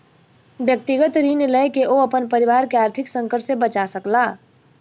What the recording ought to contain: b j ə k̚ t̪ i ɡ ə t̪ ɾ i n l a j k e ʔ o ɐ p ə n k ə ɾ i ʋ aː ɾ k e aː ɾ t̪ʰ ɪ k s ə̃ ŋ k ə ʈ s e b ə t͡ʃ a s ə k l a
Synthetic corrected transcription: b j ə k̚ t̪ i ɡ ə t̪ ɾ i n l ə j k e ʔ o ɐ p ə n p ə ɾ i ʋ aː ɾ k e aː ɾ t̪ʰ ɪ k s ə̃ ŋ k ə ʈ s e b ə t͡ʃ a s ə k l a